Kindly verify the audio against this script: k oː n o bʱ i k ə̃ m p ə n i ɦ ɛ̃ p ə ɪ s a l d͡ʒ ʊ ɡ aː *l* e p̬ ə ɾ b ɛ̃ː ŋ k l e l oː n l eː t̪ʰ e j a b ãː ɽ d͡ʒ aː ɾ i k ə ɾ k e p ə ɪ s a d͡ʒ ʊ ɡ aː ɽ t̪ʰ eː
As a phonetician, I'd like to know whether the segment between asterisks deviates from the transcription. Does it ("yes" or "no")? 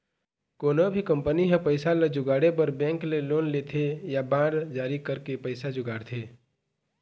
yes